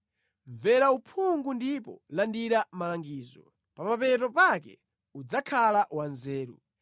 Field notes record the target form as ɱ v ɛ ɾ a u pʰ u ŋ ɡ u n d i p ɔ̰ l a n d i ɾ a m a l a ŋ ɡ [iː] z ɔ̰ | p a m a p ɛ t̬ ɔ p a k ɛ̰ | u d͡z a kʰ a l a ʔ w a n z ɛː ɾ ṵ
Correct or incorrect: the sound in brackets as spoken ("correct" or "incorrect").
correct